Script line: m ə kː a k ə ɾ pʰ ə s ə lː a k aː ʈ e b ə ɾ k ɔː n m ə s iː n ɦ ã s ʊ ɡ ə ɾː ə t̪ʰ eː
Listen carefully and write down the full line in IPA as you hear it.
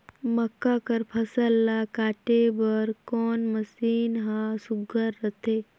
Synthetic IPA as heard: m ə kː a k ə ɾ pʰ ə s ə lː a k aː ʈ e b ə ɾ k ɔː n m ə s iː n ɦ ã s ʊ ɡ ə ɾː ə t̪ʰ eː